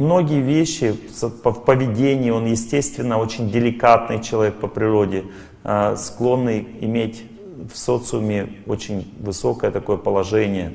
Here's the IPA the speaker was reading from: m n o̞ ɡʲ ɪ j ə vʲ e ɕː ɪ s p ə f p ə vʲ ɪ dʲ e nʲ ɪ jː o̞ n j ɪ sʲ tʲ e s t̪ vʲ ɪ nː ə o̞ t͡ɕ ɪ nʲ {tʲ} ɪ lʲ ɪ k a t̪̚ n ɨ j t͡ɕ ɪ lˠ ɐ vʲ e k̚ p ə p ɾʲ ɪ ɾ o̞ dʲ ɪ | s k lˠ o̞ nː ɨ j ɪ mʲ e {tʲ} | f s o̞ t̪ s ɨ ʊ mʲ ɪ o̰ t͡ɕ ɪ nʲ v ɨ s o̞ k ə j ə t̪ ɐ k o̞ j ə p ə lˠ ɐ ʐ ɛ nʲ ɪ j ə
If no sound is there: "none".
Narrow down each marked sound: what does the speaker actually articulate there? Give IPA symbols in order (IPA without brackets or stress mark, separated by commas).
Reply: dʲ, tʲ